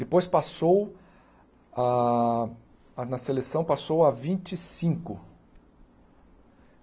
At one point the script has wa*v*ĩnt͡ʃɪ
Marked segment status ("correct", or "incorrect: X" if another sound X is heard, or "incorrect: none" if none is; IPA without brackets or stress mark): correct